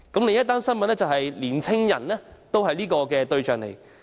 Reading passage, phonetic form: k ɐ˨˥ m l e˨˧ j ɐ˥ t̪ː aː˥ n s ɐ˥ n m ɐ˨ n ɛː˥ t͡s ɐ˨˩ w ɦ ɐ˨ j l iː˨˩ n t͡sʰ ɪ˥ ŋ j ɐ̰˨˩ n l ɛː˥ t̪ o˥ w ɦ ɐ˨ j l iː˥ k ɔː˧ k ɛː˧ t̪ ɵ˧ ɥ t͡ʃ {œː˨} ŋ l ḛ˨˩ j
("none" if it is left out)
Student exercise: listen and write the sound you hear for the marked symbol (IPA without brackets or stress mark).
œː˨